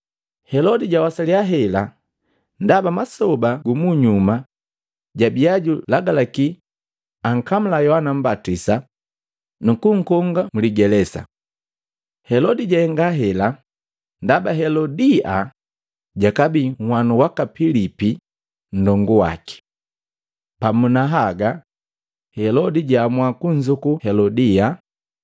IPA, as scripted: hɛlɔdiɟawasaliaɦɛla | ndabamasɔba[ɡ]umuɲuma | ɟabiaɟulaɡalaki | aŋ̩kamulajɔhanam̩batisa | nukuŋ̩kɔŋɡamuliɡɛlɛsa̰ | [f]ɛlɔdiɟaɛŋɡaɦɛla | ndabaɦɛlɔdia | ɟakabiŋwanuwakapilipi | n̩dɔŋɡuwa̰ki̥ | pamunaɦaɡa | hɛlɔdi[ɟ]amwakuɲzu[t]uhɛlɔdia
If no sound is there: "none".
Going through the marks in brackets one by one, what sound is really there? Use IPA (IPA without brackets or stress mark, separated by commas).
ɡ, h, ɟ, k